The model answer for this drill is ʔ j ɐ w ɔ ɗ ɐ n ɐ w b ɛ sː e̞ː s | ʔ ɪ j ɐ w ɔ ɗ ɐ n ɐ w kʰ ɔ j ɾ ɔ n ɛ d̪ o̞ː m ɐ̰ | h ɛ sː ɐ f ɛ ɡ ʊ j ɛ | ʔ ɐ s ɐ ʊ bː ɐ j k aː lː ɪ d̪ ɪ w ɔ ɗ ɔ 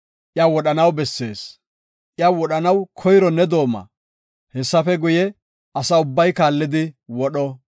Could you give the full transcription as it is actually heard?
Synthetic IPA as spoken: ʔ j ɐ w ɔ ɗ ɐ n ɐ w b ɛ sː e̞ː s | ʔ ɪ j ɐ w ɔ ɗ ɐ n ɐ w kʰ ɔ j ɾ ɔ n ɛ d̪ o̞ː m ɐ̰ | h ɛ sː ɐ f ɛ ɡ ʊ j ɛ | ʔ ɐ s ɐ ʊ bː ɐ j k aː lː ɪ d̪ ɪ w ɔ ɗ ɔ